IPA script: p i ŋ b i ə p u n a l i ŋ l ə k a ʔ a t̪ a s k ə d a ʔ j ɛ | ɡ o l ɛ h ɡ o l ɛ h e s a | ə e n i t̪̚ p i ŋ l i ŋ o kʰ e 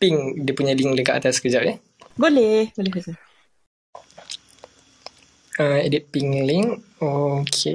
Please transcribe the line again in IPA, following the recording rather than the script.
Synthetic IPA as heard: p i ŋ d i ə p u ɲ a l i ŋ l ə k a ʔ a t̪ a s k ə d͡ʒ a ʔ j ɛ | ɡ o l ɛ h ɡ o l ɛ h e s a | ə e d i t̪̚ p i ŋ l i ŋ o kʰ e